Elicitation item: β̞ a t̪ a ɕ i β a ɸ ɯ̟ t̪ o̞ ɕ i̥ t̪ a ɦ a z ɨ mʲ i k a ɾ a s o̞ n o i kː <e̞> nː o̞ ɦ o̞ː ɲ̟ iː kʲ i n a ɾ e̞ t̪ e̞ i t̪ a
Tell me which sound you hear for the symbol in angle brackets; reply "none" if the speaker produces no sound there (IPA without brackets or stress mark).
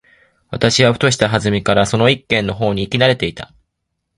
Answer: ẽ̞